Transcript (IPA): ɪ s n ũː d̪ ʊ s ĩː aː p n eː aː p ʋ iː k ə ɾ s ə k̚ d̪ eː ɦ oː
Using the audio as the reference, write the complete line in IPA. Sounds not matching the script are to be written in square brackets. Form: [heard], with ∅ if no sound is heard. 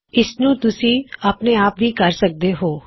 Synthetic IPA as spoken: ɪ s n ũː [t̪] ʊ s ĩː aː p n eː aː p ʋ iː k ə ɾ s ə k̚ d̪ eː ɦ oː

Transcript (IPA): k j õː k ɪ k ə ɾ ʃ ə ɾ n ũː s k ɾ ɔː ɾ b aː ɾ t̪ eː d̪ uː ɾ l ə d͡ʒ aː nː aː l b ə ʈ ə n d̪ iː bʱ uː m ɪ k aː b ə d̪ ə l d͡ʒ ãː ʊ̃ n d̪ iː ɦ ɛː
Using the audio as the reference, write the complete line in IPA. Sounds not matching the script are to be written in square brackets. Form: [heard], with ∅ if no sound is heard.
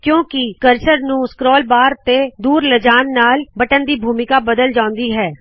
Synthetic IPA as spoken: k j õː k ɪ k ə ɾ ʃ ə ɾ n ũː s k ɾ ɔː [l] b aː ɾ t̪ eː d̪ uː ɾ l ə d͡ʒ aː nː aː l b ə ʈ ə n d̪ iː bʱ uː m ɪ k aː b ə d̪ ə l d͡ʒ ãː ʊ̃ n d̪ iː ɦ ɛː

